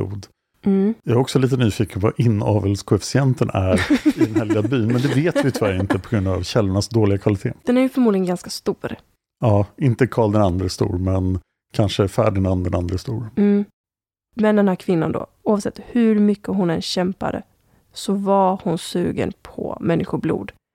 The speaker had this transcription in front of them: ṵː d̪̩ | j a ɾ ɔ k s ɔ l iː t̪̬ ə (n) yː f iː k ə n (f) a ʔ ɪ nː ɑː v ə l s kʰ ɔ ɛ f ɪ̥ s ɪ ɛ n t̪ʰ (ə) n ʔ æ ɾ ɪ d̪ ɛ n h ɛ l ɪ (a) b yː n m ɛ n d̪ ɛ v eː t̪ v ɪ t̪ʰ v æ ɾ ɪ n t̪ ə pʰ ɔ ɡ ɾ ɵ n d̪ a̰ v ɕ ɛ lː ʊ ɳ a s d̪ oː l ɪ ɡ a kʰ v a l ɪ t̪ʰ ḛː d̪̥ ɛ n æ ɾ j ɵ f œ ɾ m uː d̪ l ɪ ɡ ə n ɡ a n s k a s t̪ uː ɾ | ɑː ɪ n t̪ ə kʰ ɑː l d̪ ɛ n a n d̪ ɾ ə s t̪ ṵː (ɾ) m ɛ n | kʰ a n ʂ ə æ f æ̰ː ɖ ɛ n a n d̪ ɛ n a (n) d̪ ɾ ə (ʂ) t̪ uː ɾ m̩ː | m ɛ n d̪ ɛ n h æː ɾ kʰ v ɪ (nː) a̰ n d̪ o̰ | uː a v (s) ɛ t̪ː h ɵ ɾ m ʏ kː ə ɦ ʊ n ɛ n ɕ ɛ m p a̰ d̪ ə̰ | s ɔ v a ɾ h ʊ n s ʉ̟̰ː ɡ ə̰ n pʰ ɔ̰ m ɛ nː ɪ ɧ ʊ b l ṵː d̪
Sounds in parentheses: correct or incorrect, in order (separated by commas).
correct, incorrect, correct, correct, correct, correct, incorrect, correct, correct